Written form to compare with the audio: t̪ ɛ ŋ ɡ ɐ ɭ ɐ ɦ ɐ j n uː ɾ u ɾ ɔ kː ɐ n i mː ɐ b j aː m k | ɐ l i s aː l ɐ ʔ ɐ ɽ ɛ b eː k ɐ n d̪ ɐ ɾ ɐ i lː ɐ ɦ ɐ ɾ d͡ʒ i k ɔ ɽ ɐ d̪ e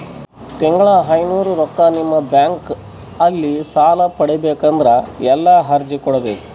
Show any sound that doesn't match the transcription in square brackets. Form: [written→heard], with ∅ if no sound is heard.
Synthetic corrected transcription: t̪ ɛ ŋ ɡ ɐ ɭ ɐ ɦ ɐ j n uː ɾ u ɾ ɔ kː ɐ n i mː ɐ b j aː [m→ŋ] k | ɐ [l→lː] i s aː l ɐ [ʔ→p] ɐ ɽ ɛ b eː k ɐ n d̪ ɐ ɾ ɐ [i→ɛ] lː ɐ ɦ ɐ ɾ d͡ʒ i k ɔ ɽ ɐ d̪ e